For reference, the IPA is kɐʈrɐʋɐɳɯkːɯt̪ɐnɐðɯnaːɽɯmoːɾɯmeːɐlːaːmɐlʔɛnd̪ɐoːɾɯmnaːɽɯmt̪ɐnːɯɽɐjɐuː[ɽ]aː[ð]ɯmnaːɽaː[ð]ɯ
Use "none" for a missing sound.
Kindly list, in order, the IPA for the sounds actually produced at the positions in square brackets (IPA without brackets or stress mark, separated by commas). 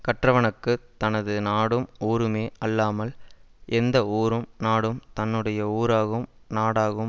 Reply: ɾ, ɣ, ɣ